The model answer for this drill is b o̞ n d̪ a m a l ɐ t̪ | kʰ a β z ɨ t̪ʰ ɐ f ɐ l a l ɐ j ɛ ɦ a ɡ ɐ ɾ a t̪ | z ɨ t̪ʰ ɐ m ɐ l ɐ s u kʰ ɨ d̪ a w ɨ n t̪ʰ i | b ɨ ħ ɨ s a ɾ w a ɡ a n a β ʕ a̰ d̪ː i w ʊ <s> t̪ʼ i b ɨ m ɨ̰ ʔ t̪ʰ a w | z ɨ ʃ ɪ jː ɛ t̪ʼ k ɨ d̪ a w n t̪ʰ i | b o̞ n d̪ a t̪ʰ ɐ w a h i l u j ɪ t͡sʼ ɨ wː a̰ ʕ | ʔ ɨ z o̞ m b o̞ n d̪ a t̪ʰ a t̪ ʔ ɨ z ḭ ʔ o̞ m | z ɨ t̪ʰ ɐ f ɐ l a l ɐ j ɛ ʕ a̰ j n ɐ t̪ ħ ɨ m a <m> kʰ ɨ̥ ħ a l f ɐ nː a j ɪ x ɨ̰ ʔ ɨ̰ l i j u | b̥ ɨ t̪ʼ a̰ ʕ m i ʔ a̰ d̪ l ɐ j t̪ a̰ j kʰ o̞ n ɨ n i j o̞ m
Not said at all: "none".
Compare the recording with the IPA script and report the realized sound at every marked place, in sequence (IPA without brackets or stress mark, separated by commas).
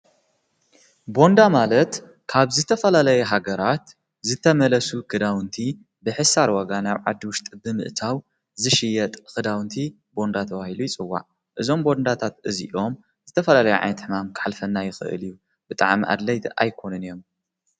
ʃ, m